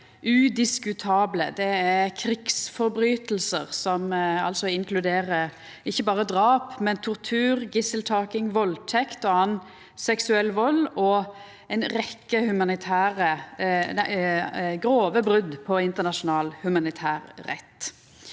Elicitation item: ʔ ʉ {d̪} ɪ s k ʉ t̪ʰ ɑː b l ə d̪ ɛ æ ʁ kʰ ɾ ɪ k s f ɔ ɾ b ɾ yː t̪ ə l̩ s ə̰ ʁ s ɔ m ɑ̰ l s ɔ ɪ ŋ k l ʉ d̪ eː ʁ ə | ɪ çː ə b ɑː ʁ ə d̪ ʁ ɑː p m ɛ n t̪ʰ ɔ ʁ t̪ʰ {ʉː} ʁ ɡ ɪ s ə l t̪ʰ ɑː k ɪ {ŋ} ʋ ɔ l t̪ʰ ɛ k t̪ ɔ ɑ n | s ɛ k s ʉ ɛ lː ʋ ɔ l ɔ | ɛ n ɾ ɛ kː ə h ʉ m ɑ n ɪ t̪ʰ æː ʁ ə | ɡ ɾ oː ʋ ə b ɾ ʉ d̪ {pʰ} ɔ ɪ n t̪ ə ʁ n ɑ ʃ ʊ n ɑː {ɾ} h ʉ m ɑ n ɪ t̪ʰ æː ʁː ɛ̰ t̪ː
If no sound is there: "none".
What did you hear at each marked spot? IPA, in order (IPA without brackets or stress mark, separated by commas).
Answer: d̪, ʉː, ŋ, pʰ, l